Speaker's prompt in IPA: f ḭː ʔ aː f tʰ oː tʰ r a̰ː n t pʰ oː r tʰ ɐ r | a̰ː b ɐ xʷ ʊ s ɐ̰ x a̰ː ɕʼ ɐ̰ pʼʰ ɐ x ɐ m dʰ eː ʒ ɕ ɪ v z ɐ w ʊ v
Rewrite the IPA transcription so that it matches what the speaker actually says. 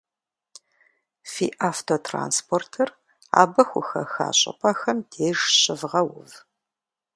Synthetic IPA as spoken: f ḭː ʔ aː f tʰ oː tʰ r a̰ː n s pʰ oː r tʰ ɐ r | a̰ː b ɐ xʷ ʊ x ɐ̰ x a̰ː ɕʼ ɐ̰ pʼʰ ɐ x ɐ m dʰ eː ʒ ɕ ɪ v ʁ ɐ w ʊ v